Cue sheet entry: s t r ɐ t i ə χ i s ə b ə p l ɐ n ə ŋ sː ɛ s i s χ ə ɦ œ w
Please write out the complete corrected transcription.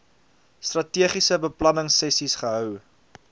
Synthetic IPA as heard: s t r ɐ t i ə χ i s ə b ə p l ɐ n ə ŋ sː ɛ s i s χ ə ɦ œ w